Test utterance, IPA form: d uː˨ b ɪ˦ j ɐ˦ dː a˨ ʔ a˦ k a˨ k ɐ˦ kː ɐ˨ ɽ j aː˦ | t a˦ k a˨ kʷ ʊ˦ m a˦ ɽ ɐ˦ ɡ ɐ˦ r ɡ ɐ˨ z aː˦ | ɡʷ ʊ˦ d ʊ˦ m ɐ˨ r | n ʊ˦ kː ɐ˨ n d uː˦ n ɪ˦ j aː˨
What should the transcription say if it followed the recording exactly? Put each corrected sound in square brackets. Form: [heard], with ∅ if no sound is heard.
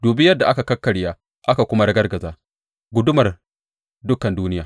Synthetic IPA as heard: d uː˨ b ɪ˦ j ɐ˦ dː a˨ ʔ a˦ k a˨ k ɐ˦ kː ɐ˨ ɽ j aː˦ | [ʔ] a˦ k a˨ kʷ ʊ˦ m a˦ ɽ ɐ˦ ɡ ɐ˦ r ɡ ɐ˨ z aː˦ | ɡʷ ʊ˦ d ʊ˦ m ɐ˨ r | [d] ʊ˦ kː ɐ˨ n d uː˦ n ɪ˦ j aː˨